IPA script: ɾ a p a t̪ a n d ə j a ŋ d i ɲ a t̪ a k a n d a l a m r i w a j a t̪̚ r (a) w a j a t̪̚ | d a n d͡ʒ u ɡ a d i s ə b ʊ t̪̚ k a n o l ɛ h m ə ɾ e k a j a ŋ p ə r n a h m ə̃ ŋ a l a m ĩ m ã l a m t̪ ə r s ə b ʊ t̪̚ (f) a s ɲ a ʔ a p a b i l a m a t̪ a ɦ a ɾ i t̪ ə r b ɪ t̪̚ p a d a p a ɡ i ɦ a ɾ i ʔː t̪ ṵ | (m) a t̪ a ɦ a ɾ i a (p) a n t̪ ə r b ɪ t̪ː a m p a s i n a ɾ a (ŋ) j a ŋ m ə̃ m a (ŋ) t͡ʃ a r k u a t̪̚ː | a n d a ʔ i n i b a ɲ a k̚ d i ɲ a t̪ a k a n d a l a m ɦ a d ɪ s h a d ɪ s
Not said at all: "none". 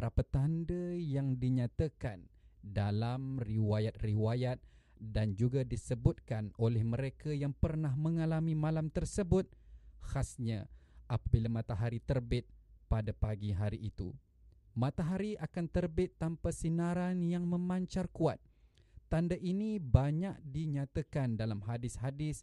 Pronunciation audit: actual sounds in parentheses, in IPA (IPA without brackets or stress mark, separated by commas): i, h, m, k, n, ɲ